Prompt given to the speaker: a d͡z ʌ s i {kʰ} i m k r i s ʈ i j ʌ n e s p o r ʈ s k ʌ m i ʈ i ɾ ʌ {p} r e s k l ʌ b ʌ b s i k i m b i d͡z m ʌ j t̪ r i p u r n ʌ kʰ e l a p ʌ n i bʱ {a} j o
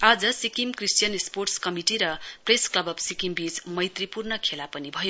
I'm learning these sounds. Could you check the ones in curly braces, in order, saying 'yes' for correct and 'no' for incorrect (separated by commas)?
no, yes, no